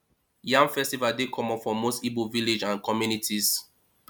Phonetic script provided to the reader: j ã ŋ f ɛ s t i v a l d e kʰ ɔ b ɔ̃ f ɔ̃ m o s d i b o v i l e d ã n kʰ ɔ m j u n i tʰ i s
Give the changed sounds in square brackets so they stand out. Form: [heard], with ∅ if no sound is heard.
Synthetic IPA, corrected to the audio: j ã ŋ f ɛ s t i v a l d e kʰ ɔ [m] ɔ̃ f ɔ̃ m o s [t] i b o v i l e [d͡ʒ] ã n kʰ ɔ m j u n i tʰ i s